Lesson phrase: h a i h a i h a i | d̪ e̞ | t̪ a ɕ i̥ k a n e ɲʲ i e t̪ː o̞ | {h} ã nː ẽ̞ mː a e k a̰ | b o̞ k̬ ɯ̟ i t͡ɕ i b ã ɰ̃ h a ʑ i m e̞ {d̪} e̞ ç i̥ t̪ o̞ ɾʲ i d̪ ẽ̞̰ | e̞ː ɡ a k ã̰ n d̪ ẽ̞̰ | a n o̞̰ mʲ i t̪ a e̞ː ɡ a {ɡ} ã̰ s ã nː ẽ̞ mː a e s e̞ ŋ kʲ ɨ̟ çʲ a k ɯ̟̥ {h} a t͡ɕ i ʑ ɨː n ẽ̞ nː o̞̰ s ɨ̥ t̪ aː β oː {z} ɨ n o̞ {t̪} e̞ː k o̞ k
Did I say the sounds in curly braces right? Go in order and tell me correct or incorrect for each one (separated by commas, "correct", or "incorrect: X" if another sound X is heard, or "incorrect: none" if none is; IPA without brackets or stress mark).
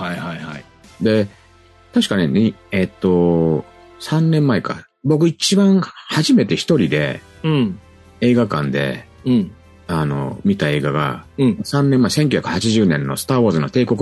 incorrect: s, incorrect: t̪, correct, correct, correct, correct